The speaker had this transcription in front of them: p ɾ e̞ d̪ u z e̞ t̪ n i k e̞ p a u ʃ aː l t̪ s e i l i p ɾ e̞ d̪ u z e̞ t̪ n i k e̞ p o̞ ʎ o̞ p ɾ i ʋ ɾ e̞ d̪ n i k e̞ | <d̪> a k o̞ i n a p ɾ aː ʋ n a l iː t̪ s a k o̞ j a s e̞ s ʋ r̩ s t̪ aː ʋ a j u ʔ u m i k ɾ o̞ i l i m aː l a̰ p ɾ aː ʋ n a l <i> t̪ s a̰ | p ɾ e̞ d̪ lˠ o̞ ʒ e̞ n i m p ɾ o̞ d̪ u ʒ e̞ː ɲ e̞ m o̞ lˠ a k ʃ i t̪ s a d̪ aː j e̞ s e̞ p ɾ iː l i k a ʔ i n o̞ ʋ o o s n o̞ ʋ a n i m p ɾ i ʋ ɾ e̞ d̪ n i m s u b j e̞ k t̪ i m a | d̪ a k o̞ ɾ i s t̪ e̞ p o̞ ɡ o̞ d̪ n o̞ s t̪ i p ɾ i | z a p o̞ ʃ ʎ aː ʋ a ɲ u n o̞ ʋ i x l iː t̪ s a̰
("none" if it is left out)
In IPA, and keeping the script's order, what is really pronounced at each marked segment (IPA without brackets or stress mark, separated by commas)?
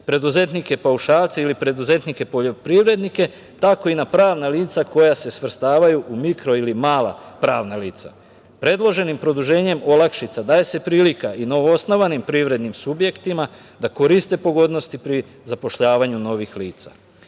t̪, iː